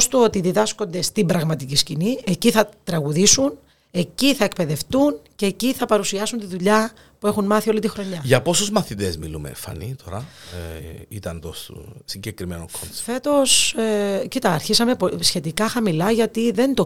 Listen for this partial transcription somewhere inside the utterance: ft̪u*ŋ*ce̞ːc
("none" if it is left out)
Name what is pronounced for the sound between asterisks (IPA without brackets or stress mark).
n